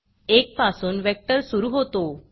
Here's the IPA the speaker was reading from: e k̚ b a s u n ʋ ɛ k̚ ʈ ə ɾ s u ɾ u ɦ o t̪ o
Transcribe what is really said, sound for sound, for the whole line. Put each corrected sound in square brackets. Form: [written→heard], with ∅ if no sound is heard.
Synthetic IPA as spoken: e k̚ [b→p] a s [u→uː] n ʋ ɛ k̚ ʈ ə ɾ s u ɾ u ɦ o t̪ o